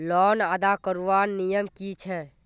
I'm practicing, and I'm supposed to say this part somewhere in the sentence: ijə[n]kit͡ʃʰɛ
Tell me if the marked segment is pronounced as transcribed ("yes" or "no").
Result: no